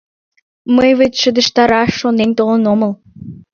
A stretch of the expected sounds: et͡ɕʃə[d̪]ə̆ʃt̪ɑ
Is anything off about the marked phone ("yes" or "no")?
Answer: no